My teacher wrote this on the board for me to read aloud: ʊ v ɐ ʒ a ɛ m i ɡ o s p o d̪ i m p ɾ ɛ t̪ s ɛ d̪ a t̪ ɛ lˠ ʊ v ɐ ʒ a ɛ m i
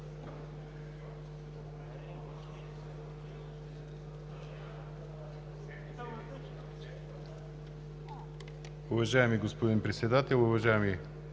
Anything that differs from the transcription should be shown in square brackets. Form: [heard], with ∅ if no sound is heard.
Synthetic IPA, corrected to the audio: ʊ v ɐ ʒ a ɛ m i ɡ o s p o d̪ i [n] p ɾ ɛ t̪ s ɛ d̪ a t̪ ɛ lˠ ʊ v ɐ ʒ a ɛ m i

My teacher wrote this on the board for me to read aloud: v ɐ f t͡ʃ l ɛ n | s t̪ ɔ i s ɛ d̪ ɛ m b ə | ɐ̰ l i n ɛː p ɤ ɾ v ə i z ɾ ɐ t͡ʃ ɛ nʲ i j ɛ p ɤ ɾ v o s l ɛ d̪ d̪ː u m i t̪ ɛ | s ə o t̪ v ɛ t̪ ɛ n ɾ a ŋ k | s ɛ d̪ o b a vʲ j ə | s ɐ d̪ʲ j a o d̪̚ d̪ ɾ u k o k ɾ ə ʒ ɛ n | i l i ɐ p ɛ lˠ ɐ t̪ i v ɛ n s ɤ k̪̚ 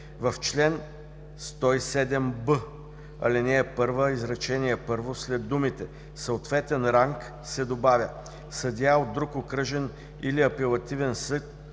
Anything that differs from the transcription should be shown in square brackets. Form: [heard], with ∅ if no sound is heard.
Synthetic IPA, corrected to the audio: v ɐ f t͡ʃ l ɛ n | s t̪ ɔ i s ɛ d̪ ɛ m b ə | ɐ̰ l i n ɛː p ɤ ɾ v ə i z ɾ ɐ t͡ʃ ɛ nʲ i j ɛ p ɤ ɾ v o s l ɛ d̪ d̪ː u m i t̪ ɛ | s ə o t̪ v ɛ t̪ ɛ n ɾ a ŋ k | s ɛ d̪ o b a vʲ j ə | s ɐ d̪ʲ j a o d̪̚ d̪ ɾ u k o k ɾ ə ʒ ɛ n | i l i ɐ p ɛ lˠ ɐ t̪ i v ɛ n s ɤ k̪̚

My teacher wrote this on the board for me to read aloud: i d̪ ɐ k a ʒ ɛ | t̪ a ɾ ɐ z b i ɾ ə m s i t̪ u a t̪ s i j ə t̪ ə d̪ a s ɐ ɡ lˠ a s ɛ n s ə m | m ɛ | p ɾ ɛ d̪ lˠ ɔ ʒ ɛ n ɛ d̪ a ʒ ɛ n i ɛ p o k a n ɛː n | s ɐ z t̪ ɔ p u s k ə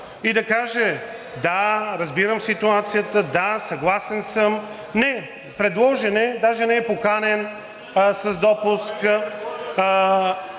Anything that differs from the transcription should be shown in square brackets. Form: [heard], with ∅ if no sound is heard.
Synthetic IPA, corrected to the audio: i d̪ ɐ k a ʒ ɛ | [d̪] a ɾ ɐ z b i ɾ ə m s i t̪ u a t̪ s i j ə t̪ ə d̪ a s ɐ ɡ lˠ a s ɛ n s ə m | [n] ɛ | p ɾ ɛ d̪ lˠ ɔ ʒ ɛ n ɛ d̪ a ʒ ɛ n [ɛ] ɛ p o k a n [ɛ] n | s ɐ z [d̪] ɔ p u s k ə

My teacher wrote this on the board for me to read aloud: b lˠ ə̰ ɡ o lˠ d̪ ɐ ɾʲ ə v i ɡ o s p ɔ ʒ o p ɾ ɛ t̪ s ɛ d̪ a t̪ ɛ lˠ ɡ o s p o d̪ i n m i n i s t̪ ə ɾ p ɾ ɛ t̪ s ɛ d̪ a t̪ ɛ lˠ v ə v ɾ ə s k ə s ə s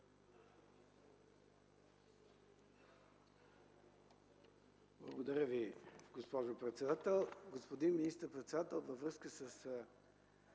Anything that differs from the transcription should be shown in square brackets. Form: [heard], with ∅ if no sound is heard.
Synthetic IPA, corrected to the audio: b lˠ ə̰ ɡ o [∅] d̪ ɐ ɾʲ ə v i ɡ o s p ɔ ʒ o p ɾ ɛ t̪ s ɛ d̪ a t̪ ɛ lˠ ɡ o s p o d̪ i n m i n i s t̪ ə ɾ p ɾ ɛ t̪ s ɛ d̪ a t̪ ɛ lˠ v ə v ɾ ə s k ə s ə s

